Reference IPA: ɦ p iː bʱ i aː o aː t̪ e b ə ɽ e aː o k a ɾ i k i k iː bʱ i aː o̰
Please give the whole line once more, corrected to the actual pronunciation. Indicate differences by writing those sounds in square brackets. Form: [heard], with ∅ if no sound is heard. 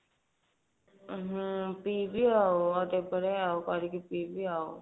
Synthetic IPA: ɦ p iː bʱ i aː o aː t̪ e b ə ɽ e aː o k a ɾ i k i [p] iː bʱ i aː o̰